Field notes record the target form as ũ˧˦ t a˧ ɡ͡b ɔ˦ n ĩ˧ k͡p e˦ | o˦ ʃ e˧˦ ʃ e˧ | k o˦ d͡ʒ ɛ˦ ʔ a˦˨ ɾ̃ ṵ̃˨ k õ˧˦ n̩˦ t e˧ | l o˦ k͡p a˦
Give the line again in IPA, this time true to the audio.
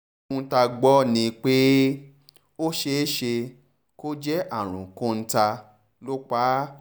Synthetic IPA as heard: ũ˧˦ t a˧ ɡ͡b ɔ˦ n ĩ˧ k͡p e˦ | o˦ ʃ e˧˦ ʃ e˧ | k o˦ d͡ʒ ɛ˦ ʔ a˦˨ ɾ̃ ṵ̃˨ k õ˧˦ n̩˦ t a˧ | l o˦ k͡p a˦

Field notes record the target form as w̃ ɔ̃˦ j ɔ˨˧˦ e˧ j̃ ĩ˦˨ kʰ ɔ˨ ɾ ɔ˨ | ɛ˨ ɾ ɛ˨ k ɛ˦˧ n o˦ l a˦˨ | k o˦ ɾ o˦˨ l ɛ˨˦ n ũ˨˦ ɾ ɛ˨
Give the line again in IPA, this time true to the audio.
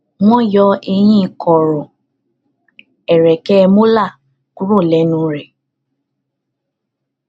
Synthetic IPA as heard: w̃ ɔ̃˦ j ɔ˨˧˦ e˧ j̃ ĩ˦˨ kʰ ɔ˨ ɾ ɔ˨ | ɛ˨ ɾ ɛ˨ k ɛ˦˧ m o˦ l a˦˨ | k u˦ ɾ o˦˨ l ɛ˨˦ n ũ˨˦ ɾ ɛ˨

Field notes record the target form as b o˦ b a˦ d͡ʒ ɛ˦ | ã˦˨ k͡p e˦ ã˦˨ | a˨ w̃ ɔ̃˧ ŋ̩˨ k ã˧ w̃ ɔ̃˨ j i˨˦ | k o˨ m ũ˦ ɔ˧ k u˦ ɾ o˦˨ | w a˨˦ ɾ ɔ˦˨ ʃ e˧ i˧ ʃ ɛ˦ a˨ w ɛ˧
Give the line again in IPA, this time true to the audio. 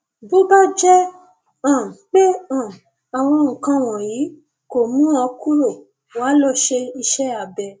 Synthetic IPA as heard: b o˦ b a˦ d͡ʒ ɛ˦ | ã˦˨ k͡p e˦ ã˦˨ | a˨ w̃ ɔ̃˧ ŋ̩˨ k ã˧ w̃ ɔ̃˨ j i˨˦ | k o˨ m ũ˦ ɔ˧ k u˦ ɾ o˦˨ | w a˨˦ l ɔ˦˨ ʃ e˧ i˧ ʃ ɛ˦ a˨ b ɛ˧

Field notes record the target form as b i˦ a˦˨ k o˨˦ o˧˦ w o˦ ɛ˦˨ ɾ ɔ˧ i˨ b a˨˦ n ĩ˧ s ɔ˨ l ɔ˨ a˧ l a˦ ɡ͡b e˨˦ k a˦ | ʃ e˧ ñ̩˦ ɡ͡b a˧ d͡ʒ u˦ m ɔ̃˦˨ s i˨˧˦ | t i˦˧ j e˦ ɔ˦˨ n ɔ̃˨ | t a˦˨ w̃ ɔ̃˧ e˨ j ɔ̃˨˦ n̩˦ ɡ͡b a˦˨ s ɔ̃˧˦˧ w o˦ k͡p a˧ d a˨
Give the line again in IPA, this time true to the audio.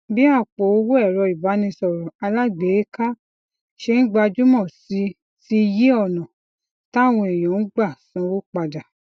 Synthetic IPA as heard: b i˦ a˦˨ k͡p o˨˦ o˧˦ w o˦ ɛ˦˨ ɾ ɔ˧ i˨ b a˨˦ n ĩ˧ s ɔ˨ ɾ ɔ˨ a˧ l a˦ ɡ͡b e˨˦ k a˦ | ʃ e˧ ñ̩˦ ɡ͡b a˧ d͡ʒ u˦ m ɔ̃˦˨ s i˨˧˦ | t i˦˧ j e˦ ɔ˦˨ n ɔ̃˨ | t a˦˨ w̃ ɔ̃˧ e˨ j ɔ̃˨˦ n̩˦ ɡ͡b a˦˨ s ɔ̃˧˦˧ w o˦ k͡p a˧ d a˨

